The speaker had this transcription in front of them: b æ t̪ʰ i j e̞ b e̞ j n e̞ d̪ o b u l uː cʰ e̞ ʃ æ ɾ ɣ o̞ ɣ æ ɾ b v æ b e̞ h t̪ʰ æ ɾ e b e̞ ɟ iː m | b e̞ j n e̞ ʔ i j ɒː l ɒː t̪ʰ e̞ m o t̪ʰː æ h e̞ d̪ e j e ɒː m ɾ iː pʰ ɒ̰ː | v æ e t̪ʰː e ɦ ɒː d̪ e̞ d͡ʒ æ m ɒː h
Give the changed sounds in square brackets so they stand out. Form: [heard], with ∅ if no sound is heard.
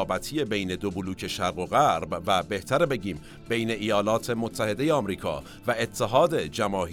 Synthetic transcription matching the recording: b æ t̪ʰ i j e̞ b e̞ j n e̞ d̪ o b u l uː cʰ e̞ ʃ æ ɾ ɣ o̞ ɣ æ ɾ b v æ b e̞ h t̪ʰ æ ɾ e b e̞ ɟ iː m | b e̞ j n e̞ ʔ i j ɒː l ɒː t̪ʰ e̞ m o t̪ʰː æ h e̞ d̪ e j e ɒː m ɾ iː [kʰ] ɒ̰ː | v æ e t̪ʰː e ɦ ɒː d̪ e̞ d͡ʒ æ m ɒː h